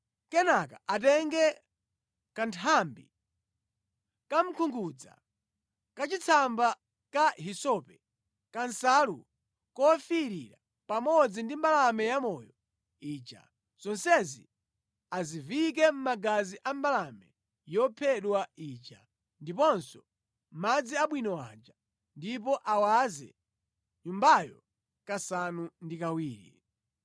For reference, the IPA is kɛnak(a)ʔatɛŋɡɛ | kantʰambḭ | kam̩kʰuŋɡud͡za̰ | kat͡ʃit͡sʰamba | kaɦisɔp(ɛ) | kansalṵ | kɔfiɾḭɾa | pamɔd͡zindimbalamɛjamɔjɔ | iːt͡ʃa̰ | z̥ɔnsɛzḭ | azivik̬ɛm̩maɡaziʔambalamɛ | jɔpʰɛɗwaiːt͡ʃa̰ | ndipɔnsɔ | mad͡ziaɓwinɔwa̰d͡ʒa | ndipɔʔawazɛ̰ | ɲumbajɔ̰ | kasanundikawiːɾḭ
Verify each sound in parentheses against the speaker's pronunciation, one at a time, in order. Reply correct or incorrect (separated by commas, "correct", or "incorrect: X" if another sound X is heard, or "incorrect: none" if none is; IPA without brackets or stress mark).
correct, correct